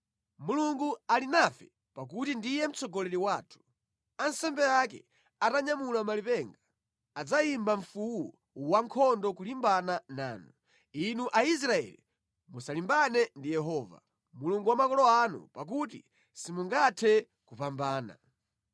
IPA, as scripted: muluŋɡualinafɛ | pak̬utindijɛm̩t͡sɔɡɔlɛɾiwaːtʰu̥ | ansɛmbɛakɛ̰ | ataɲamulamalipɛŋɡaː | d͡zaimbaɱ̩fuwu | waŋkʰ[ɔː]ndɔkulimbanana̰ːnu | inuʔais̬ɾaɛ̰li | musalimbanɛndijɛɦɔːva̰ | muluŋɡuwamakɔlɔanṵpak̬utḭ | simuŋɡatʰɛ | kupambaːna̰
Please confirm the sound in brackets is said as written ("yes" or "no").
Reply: no